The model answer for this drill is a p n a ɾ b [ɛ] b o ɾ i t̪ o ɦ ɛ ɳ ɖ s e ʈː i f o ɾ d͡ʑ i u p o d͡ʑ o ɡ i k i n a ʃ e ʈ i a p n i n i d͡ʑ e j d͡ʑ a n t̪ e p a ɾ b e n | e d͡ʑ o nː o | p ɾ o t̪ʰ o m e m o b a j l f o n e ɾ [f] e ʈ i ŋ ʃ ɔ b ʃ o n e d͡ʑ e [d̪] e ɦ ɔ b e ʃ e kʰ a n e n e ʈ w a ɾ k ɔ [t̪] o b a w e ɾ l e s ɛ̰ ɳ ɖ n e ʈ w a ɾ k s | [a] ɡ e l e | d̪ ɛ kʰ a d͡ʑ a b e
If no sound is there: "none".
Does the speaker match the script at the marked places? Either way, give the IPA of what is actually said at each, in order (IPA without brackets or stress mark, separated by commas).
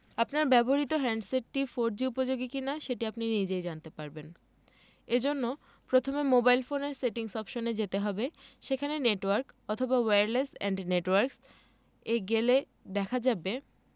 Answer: ɛ, s, t̪, t̪ʰ, e